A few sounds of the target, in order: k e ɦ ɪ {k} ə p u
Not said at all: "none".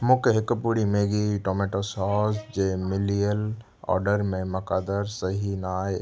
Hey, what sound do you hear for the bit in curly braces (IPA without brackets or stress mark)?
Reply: k